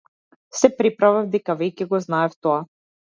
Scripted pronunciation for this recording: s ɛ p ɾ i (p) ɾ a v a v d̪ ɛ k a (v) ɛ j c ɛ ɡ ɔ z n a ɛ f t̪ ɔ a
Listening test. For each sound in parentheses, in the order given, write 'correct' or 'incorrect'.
correct, correct

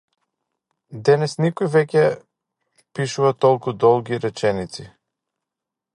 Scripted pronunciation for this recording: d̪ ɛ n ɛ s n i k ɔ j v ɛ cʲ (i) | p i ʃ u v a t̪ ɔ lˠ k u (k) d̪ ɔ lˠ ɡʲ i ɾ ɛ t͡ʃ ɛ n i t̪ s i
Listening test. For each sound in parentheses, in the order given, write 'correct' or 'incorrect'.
incorrect, incorrect

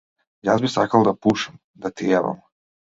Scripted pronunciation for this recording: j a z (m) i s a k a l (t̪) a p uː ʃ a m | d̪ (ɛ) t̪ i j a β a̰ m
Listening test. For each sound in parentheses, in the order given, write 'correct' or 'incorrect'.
incorrect, incorrect, incorrect

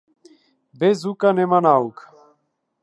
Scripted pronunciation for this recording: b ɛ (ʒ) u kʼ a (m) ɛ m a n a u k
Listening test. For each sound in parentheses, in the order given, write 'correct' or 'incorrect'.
incorrect, incorrect

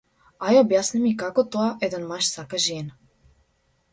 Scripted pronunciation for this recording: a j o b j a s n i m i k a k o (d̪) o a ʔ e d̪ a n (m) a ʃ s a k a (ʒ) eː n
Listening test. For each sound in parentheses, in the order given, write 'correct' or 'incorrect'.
incorrect, correct, correct

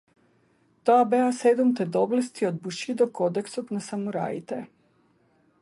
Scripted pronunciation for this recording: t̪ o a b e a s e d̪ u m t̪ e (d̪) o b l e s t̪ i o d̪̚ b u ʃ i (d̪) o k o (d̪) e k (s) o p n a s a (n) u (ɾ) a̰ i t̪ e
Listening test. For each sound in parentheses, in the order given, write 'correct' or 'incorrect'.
correct, correct, correct, correct, incorrect, correct

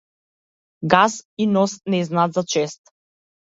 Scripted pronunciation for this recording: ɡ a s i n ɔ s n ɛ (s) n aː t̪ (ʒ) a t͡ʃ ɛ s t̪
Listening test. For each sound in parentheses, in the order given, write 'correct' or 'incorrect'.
incorrect, incorrect

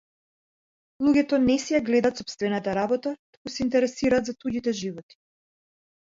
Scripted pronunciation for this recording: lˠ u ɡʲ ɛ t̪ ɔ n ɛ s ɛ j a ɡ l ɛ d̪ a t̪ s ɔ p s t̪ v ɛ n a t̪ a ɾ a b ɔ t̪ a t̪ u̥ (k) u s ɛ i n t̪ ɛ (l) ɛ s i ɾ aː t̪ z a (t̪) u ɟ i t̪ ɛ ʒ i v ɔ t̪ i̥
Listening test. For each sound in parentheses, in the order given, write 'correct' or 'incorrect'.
correct, incorrect, correct

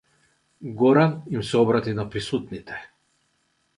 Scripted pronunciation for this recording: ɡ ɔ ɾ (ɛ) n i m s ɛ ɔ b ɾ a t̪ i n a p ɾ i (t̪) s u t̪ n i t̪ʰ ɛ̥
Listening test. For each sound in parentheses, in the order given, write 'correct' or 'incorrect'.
incorrect, incorrect

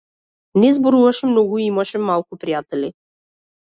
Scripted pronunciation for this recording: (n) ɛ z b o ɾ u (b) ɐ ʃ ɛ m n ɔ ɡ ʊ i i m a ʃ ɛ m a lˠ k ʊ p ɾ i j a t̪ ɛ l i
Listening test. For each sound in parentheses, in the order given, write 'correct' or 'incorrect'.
correct, incorrect

